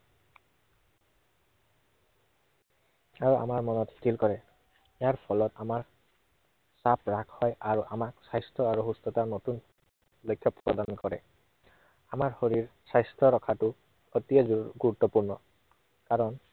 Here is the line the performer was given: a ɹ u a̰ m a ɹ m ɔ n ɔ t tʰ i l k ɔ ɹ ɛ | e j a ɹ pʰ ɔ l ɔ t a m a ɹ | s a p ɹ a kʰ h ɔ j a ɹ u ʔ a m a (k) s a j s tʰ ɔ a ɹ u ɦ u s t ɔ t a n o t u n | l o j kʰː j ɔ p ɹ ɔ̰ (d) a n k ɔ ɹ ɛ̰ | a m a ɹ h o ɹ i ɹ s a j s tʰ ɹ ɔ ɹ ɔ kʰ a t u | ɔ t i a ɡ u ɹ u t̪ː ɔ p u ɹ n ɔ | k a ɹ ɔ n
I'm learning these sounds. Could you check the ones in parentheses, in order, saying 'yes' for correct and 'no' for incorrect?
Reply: yes, yes

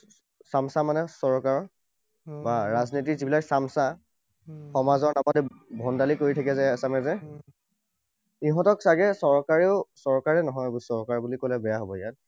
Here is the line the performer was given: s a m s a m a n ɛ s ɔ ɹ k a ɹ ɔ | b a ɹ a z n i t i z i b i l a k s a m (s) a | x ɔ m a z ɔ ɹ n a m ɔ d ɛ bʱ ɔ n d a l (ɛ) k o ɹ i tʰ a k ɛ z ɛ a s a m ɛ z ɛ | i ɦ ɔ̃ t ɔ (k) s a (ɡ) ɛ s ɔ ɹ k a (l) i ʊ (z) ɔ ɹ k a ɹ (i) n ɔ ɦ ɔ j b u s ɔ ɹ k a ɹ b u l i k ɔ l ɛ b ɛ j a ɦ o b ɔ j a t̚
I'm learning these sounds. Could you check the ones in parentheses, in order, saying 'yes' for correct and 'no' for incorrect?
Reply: yes, no, yes, yes, no, no, no

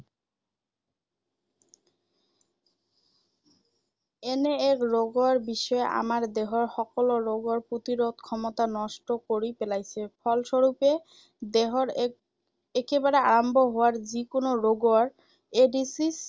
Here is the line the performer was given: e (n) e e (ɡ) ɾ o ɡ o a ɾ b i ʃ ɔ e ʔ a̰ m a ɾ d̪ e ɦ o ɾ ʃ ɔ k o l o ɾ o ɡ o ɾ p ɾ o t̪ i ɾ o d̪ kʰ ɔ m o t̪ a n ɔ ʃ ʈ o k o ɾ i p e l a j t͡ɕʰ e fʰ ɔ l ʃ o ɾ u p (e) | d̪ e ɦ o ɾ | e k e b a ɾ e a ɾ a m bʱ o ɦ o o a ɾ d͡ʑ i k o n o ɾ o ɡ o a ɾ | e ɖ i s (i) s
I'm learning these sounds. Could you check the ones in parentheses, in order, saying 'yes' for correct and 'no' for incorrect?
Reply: yes, no, yes, yes

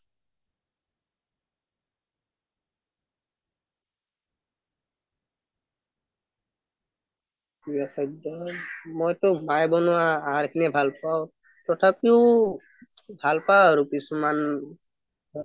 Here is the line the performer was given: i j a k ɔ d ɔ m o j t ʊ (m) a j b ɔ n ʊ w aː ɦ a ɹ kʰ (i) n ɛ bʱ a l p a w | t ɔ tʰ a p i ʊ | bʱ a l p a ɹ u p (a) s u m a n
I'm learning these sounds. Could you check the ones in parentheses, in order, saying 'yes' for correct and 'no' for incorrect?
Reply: yes, yes, no

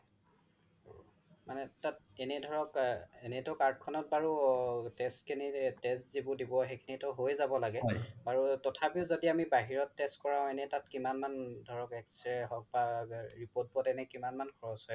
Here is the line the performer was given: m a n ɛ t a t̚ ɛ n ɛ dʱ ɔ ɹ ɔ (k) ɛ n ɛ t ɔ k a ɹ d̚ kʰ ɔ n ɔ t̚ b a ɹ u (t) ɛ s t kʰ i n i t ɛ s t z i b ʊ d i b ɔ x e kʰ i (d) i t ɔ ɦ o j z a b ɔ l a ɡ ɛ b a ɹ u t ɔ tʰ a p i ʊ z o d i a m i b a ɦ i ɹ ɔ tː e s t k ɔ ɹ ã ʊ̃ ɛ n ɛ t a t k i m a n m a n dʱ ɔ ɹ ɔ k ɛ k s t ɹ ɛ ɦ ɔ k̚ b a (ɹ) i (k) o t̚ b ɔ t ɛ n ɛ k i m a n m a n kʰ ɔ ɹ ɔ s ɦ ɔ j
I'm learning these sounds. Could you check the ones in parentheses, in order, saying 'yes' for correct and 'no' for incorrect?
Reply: yes, yes, no, yes, no

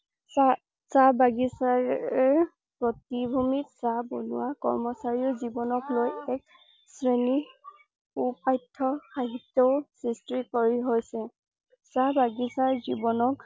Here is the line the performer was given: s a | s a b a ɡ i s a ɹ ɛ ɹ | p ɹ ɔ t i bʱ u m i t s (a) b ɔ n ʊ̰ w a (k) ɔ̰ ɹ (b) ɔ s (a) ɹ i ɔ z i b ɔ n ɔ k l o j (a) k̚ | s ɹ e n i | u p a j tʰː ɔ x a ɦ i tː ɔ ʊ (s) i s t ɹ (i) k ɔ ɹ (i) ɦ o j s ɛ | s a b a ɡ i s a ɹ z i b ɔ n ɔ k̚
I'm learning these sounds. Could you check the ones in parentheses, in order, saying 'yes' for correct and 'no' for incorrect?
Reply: yes, yes, no, yes, no, yes, yes, yes

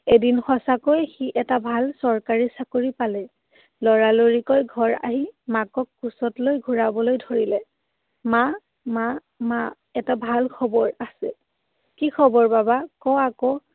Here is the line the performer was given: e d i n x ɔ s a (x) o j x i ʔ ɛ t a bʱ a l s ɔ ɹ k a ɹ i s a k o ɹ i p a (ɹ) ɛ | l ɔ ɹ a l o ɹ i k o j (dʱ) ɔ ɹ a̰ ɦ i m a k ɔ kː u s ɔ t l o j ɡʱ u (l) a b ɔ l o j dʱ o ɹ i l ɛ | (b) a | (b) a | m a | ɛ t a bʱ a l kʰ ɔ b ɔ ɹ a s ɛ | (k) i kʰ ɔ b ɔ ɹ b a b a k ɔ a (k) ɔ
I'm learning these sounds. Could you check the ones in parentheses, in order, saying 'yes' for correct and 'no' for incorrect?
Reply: no, no, no, no, no, no, yes, yes

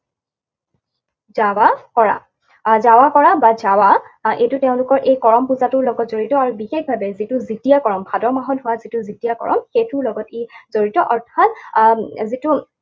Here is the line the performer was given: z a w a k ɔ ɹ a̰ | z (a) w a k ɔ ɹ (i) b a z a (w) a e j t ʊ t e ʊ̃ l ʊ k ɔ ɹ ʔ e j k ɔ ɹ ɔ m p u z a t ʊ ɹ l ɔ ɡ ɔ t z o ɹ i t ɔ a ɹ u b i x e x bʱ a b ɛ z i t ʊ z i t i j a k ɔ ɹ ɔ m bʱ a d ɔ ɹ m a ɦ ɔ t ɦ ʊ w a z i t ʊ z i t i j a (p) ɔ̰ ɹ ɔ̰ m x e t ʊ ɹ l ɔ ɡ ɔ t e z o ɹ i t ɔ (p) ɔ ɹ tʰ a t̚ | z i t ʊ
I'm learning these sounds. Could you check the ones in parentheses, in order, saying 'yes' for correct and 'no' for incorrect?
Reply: yes, no, yes, no, no

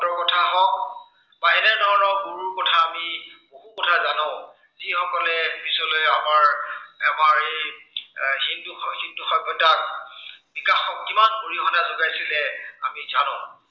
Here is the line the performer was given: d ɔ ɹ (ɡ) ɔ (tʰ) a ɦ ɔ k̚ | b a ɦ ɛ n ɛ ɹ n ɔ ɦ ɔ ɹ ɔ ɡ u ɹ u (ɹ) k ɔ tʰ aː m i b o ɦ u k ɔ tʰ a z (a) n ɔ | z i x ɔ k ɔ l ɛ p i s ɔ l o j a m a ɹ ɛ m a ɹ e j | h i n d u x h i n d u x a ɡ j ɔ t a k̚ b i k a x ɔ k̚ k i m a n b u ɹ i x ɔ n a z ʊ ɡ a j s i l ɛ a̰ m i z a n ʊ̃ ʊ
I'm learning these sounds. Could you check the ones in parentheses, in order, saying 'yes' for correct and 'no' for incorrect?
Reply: no, yes, yes, yes

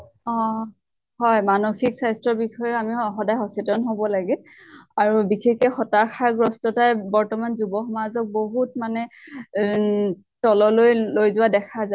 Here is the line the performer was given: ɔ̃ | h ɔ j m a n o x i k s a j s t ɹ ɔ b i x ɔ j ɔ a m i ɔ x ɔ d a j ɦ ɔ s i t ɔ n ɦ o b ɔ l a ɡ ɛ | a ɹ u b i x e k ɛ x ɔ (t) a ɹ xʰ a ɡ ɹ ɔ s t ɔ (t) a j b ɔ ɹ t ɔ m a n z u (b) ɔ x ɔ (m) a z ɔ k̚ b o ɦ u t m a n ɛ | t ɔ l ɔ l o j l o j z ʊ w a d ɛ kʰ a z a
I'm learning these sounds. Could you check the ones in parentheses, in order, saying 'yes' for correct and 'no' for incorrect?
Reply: yes, yes, yes, yes

